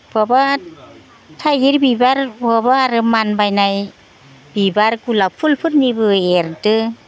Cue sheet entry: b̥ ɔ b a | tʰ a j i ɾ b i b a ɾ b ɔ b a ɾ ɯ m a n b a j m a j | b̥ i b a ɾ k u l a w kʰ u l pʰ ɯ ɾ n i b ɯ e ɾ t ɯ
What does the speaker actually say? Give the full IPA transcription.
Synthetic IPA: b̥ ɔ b a | tʰ a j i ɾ b i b a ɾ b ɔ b a ɾ ɯ m a n b a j n a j | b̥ i b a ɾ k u l a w pʰ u l pʰ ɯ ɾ n i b ɯ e ɾ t ɯ